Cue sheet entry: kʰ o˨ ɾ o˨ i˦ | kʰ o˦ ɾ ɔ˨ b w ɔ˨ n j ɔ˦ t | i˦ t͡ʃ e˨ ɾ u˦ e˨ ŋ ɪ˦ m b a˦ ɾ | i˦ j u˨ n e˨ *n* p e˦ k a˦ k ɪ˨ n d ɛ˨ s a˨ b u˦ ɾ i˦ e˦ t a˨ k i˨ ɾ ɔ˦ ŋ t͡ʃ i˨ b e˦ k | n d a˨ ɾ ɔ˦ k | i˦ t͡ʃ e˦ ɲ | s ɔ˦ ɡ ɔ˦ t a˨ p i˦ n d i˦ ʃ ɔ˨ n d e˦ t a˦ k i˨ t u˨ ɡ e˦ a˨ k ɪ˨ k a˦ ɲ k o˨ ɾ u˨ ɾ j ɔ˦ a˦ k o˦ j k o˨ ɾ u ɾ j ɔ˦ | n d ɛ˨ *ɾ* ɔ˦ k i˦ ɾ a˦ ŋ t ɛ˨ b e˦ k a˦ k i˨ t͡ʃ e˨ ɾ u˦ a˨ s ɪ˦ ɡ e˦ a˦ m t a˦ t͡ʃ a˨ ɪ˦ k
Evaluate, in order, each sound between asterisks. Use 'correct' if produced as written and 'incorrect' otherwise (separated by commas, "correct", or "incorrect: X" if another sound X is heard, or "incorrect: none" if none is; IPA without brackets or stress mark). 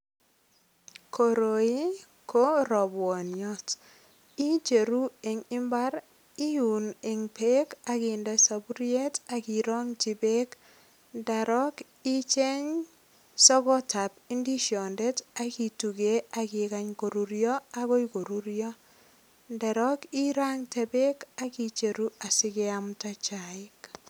incorrect: ŋ, correct